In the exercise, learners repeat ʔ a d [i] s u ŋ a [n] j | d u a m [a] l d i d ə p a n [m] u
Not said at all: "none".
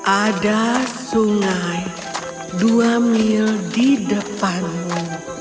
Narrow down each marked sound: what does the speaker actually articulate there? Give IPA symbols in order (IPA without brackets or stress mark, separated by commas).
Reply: a, none, i, m